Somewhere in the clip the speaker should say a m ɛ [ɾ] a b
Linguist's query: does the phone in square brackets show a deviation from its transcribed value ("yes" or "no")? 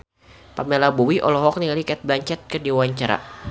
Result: yes